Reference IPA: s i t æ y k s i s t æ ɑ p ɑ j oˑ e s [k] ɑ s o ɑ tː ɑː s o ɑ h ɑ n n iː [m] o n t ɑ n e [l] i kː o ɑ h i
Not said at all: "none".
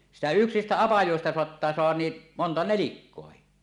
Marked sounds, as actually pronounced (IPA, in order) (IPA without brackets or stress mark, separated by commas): t, m, l